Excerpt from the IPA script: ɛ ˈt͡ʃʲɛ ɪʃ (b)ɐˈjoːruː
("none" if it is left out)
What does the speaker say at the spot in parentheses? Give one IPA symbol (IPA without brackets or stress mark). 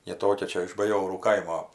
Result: b